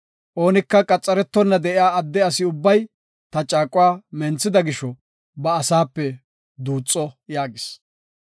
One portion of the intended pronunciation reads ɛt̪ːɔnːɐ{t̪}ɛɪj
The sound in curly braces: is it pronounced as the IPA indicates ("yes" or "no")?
no